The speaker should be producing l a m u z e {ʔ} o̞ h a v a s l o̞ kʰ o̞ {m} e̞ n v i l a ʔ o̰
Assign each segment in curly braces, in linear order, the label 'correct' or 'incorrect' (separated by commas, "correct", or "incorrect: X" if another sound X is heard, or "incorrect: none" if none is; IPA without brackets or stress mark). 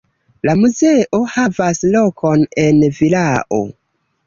correct, incorrect: n